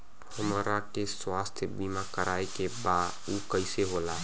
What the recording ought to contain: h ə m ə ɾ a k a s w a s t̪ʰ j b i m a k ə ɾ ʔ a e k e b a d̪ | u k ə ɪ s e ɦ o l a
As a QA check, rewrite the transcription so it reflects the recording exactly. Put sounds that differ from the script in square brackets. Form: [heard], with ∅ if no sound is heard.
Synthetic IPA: h ə m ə ɾ a k [e] s w a s t̪ʰ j b i m a k ə ɾ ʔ a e k e b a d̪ | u k ə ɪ s e ɦ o l a